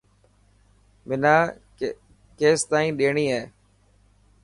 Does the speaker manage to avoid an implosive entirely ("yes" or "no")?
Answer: no